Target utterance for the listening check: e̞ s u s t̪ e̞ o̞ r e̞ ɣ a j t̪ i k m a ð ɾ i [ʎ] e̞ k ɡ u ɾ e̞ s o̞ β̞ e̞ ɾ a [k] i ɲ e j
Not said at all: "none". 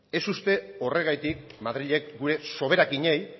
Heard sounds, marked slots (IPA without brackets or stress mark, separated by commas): ʎ, k